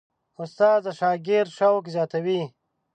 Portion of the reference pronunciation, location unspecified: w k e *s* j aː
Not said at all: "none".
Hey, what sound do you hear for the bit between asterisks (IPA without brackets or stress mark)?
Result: z